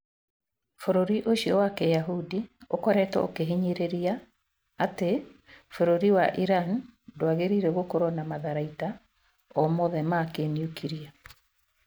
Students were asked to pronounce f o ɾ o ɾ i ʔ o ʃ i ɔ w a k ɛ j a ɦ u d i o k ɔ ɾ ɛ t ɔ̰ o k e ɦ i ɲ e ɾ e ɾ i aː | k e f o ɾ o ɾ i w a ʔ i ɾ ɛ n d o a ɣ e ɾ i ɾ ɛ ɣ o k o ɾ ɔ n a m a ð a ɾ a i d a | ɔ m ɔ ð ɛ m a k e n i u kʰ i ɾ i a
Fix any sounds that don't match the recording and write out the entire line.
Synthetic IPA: f o ɾ o ɾ i ʔ o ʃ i ɔ w a k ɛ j a ɦ u d i o k ɔ ɾ ɛ t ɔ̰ o k e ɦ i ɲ e ɾ e ɾ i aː | t e f o ɾ o ɾ i w a ʔ i ɾ a n d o a ɣ e ɾ i ɾ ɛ ɣ o k o ɾ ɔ n a m a ð a ɾ a i t a | ɔ m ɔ ð ɛ m a k e n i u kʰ i ɾ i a

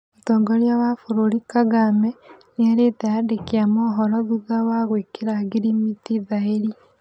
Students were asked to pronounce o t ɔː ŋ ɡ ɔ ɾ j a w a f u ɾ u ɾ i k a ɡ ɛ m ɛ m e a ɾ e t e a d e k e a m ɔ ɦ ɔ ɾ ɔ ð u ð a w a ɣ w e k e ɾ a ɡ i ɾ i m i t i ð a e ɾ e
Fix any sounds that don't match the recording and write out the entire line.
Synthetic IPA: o t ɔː ŋ ɡ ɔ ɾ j a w a f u ɾ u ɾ i k a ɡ a m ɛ n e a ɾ e t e a d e k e a m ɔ ɦ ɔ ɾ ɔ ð u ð a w a ɣ w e k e ɾ a ɡ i ɾ i m i t i ð a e ɾ i

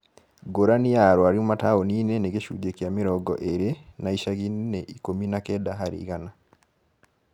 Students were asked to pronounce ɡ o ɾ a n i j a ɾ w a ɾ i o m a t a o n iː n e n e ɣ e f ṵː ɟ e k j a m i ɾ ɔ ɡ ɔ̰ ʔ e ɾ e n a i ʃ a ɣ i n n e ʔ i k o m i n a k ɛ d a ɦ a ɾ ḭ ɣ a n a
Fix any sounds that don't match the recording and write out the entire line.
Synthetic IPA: ɡ o ɾ a n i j a ɾ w a ɾ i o m a t a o n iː n e n e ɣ e ʃ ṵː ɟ e k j a m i ɾ ɔ ɡ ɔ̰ ʔ e ɾ e n a i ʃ a ɣ i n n e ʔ i k o m i n a k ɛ d a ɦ a ɾ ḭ ɣ a n a

